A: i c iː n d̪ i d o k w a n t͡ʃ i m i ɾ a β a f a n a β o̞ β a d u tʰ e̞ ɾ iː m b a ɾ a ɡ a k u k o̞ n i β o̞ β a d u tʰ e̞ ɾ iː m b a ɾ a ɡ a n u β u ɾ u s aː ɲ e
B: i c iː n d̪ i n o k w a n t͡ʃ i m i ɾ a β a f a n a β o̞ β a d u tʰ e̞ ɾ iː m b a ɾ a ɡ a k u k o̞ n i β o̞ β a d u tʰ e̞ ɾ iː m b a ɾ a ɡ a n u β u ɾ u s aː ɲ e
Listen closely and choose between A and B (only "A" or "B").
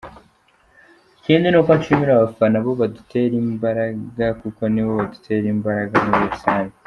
B